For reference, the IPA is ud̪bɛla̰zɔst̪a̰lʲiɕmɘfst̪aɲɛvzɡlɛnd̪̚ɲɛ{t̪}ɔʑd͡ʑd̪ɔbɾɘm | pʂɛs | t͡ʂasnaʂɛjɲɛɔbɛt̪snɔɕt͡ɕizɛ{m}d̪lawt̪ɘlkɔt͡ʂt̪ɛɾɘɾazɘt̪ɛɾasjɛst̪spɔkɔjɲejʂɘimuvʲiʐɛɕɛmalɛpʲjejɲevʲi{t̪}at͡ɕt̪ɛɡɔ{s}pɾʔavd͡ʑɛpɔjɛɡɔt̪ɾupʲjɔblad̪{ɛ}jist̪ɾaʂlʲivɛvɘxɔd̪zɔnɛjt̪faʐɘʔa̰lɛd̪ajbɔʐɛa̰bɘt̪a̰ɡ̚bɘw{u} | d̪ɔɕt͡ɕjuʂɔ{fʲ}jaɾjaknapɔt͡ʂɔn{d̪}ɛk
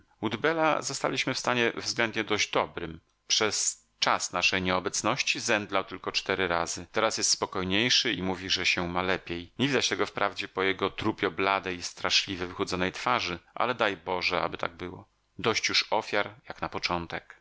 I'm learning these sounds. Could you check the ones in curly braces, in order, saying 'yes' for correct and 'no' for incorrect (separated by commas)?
no, no, no, no, yes, no, yes, no